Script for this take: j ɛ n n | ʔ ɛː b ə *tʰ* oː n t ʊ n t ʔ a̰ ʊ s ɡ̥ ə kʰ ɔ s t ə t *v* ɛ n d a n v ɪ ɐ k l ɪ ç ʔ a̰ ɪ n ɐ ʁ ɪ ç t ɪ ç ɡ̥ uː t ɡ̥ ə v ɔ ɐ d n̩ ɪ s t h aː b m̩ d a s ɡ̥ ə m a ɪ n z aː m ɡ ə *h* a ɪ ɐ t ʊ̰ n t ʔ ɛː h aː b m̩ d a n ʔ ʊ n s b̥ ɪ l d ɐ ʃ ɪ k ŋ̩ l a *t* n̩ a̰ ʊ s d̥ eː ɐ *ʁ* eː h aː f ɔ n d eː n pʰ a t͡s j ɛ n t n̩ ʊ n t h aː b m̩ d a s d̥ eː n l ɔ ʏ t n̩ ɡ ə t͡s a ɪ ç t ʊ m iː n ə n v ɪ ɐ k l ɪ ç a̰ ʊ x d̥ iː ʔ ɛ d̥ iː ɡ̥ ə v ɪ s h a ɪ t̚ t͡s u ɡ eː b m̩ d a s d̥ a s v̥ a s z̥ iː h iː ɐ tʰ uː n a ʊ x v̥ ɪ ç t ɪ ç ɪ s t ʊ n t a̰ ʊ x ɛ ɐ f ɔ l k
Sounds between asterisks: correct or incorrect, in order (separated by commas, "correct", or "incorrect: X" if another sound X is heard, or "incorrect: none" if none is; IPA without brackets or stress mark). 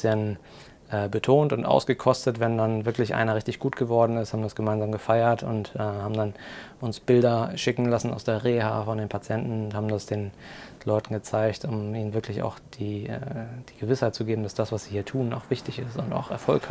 correct, correct, incorrect: f, incorrect: s, correct